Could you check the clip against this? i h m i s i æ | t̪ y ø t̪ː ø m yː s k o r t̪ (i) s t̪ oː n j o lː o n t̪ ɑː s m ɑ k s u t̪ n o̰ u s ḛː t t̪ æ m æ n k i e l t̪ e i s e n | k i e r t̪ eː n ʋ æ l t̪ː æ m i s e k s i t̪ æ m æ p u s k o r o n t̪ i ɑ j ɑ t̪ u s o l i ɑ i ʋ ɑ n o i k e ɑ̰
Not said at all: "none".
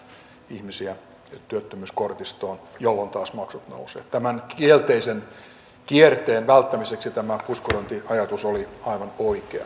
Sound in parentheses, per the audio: i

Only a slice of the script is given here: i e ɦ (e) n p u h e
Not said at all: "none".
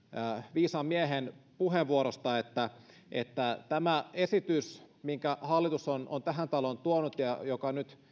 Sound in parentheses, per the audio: e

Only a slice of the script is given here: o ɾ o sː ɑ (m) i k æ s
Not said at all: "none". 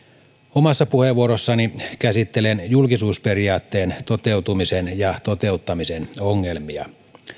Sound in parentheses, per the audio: n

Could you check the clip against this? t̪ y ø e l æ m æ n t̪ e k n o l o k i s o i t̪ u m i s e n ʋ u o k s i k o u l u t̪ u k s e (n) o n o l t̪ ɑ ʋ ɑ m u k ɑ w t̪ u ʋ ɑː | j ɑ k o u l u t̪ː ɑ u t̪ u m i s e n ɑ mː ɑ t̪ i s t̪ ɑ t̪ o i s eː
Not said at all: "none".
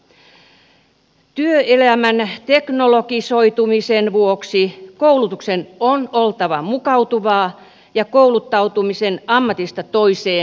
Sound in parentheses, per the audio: n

